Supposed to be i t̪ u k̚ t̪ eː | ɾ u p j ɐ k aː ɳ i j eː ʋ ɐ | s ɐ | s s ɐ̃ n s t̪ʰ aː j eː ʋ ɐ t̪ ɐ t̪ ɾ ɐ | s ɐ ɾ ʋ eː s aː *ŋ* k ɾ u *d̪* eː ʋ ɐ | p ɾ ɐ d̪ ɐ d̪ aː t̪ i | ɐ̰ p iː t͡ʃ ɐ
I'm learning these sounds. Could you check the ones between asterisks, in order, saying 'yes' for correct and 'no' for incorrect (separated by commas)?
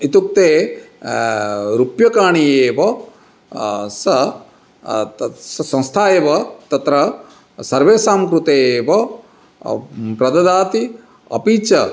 no, no